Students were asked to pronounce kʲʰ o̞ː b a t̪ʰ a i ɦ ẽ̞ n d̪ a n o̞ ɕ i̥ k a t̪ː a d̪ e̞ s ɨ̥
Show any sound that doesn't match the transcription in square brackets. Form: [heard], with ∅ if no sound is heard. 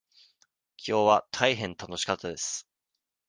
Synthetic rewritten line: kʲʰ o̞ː [β] a t̪ʰ a i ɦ ẽ̞ n [t̪] a n o̞ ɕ i̥ k a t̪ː a d̪ e̞ s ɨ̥

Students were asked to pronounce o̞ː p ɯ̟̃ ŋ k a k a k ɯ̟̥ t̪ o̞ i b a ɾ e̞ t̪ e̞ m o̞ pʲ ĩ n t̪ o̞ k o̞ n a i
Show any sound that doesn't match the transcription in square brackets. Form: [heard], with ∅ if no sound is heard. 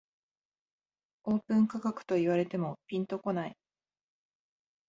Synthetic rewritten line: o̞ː p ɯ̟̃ ŋ k a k a k ɯ̟̥ t̪ o̞ i [β] a ɾ e̞ t̪ e̞ m o̞ pʲ ĩ n t̪ o̞ k o̞ n a i

